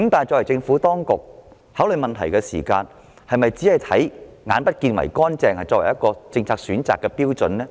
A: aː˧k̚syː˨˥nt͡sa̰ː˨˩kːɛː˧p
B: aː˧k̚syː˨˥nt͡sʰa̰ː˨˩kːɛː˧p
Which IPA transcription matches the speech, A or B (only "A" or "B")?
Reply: A